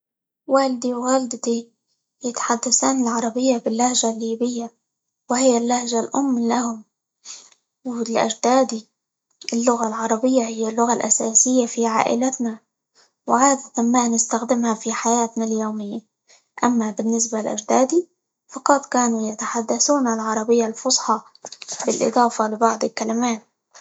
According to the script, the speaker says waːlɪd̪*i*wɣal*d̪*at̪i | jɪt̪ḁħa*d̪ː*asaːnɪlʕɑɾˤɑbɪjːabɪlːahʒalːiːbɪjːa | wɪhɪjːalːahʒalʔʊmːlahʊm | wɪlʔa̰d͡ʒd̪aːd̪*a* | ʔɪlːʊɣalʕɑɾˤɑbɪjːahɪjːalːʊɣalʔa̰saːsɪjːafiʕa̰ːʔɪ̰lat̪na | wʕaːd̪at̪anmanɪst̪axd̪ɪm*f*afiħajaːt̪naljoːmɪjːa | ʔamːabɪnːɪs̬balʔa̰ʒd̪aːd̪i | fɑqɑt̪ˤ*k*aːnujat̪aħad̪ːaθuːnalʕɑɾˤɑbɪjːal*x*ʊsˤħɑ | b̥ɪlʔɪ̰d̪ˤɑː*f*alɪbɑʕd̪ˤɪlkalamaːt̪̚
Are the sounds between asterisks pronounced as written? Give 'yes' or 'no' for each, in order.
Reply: yes, yes, yes, no, no, yes, no, yes

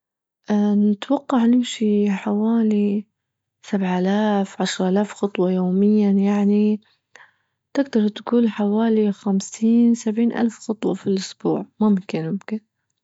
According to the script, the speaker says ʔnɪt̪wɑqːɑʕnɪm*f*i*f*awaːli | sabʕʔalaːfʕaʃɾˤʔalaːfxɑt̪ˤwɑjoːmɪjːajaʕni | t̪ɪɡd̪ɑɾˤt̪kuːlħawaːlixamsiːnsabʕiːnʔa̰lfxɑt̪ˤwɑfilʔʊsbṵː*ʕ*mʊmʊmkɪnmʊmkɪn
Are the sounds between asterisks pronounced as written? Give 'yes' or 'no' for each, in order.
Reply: no, no, yes

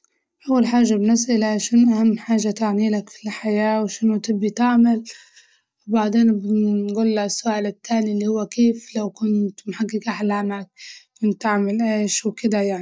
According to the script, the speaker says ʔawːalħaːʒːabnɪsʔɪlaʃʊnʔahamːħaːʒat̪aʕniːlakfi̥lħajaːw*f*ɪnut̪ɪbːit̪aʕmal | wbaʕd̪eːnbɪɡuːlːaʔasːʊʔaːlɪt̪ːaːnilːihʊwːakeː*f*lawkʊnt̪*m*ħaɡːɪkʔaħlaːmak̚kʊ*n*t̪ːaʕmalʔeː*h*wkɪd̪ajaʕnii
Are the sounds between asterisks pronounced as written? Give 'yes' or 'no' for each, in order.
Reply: no, yes, yes, yes, no

